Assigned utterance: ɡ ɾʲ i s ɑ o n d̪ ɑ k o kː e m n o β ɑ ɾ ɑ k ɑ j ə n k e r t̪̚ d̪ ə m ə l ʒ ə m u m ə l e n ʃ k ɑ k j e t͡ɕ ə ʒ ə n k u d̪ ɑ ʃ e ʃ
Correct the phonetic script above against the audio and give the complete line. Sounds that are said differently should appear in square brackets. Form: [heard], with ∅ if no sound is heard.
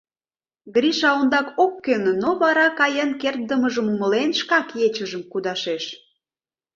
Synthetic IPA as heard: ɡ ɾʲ i [ʃ] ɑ o n d̪ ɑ k o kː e [n] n o β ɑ ɾ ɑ k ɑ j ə n k e r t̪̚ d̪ ə m ə [∅] ʒ ə m u m ə l e n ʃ k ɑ k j e t͡ɕ ə ʒ ə [m] k u d̪ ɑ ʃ e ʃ

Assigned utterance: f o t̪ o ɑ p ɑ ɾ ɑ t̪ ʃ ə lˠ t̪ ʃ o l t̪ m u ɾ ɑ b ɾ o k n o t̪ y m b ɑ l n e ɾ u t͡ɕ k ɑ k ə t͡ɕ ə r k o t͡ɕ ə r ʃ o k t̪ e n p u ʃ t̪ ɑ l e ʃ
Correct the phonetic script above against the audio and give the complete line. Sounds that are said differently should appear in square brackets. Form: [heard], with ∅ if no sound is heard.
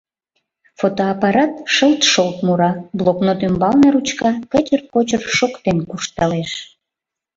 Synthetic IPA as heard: f o t̪ o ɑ p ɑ ɾ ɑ t̪ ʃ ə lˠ t̪ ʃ o l t̪ m u ɾ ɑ b [l] o k n o t̪ y m b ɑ l n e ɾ u t͡ɕ k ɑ k ə t͡ɕ ə r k o t͡ɕ ə r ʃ o k t̪ e n [k] u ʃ t̪ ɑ l e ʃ

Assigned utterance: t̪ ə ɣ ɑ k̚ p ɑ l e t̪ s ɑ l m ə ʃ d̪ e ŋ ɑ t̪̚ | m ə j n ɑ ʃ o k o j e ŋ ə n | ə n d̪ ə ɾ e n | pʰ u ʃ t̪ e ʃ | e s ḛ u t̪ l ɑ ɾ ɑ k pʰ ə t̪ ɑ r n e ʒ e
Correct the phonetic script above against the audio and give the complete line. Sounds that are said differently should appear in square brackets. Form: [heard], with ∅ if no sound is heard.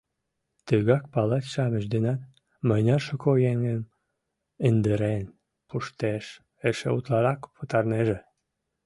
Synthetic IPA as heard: t̪ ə ɣ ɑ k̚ p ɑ l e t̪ [ʃ] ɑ [∅] m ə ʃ d̪ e [n] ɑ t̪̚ | m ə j n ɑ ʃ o k o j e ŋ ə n | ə n d̪ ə ɾ e n | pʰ u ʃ t̪ e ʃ | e [ʃ] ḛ u t̪ l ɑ ɾ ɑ k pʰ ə t̪ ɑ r n e ʒ e

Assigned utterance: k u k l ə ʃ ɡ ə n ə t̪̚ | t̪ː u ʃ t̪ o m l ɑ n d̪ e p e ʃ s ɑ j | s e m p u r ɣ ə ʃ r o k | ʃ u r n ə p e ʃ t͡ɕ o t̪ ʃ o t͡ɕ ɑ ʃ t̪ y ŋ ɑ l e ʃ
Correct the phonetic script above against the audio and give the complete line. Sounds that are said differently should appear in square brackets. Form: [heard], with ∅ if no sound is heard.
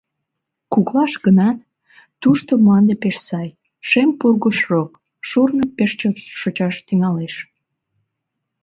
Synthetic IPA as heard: k u k l [ɑ] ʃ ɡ ə n [ɑ] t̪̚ | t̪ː u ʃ t̪ o m l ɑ n d̪ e p e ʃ s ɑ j | [ʃ] e m p u r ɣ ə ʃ r o k | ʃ u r n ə p e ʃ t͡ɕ o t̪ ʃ o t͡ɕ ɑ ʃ t̪ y ŋ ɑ l e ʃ

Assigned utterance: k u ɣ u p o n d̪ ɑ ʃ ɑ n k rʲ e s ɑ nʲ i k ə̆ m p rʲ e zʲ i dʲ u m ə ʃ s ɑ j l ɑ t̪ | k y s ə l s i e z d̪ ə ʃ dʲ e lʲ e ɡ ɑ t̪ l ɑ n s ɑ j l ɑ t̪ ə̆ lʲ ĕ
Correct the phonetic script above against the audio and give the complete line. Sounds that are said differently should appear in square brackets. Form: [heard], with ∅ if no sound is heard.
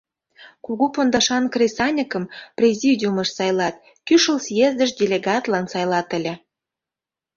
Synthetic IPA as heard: k u ɣ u p o n d̪ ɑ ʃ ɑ n k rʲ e s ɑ nʲ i k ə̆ m p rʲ e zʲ i dʲ u m ə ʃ s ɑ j l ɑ t̪ | k y [ʃ] ə l s [j] e z d̪ ə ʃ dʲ e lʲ e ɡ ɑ t̪ l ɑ n s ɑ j l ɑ t̪ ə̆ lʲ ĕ

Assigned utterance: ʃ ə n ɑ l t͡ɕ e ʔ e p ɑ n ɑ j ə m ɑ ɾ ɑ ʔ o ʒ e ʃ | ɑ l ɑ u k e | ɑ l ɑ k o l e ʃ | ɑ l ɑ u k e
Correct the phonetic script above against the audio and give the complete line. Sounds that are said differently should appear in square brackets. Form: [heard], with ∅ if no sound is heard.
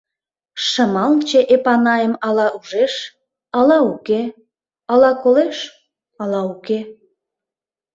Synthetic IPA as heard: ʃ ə [m] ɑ l t͡ɕ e ʔ e p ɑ n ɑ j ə m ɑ [l] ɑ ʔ [u] ʒ e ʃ | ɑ l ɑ u k e | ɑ l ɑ k o l e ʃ | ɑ l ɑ u k e

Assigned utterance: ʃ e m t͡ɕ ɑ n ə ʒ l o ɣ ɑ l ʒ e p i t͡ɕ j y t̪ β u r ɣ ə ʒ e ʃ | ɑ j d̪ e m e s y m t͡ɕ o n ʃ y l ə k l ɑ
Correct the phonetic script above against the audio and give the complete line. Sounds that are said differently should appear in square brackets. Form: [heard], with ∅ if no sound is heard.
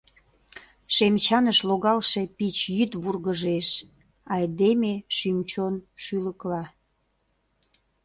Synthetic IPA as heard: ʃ e m t͡ɕ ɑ n ə [ʃ] l o ɣ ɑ l [ʃ] e p i t͡ɕ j y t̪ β u r ɣ ə ʒ e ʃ | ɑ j d̪ e m e [ʃ] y m t͡ɕ o n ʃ y l ə k l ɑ

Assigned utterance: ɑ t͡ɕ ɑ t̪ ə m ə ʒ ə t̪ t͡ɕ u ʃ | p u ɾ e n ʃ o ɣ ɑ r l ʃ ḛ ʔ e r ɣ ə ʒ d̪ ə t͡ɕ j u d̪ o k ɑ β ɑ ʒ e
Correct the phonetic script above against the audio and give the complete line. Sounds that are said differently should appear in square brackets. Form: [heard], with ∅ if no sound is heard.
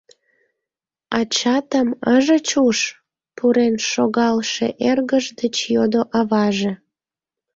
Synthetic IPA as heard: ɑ t͡ɕ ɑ t̪ ə m ə ʒ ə [∅] t͡ɕ u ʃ | p u ɾ e n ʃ o ɣ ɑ [∅] l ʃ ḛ ʔ e r ɣ ə ʒ d̪ ə t͡ɕ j [o] d̪ o [ʔ] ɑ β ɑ ʒ e

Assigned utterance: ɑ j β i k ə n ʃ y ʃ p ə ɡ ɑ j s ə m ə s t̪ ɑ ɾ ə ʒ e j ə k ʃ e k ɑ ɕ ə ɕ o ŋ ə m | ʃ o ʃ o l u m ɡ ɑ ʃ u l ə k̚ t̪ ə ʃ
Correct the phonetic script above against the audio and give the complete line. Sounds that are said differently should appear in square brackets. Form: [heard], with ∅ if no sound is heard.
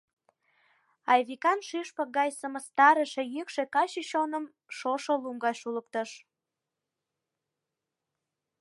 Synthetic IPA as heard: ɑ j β i k [ɑ] n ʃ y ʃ p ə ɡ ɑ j s ə m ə s t̪ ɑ ɾ ə [ʃ] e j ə k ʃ e k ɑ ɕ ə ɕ o [n] ə m | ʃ o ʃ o l u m ɡ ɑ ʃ u l ə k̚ t̪ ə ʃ

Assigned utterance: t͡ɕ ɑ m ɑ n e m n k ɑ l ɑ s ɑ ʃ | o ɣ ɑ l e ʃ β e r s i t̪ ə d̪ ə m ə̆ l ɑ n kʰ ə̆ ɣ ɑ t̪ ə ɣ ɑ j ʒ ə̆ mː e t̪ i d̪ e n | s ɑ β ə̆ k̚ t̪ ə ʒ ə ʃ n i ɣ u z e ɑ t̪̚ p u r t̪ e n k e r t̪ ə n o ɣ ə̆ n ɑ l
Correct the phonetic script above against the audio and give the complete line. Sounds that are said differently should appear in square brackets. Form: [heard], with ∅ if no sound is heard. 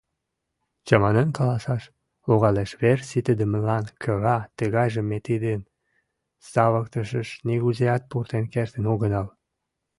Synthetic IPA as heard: t͡ɕ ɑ m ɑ n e [∅] n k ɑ l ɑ s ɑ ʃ | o ɣ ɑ l e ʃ β e r s i t̪ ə d̪ ə m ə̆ l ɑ n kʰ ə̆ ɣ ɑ t̪ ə ɣ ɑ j ʒ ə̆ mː e t̪ i d̪ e n | s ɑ β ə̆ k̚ t̪ ə [ʃ] ə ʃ n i ɣ u z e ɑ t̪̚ p u r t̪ e n k e r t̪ ə n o ɣ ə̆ n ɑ l

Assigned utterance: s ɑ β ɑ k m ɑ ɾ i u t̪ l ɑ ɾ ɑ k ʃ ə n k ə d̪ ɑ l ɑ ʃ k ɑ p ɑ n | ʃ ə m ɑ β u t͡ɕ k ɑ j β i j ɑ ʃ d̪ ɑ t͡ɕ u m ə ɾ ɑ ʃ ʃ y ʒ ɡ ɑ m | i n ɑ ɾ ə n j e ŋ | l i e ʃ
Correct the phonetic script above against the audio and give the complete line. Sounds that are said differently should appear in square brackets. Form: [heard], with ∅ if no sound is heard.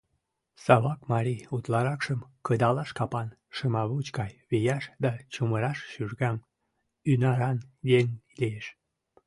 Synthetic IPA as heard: s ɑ β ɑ k m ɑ ɾ i u t̪ l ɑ ɾ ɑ k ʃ ə [m] k ə d̪ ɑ l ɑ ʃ k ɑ p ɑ n | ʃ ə m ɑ β u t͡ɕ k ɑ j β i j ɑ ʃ d̪ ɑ t͡ɕ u m ə ɾ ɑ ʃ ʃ y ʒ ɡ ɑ m | [y] n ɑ ɾ [ɑ] n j e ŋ | l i e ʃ

